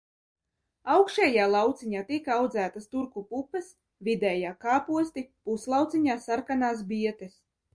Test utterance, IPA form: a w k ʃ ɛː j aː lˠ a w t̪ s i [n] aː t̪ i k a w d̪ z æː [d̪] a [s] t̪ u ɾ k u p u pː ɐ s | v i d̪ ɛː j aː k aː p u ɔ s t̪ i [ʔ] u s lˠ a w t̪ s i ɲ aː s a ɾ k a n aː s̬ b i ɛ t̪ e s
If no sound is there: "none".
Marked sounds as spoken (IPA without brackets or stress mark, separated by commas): ɲ, t̪, s, p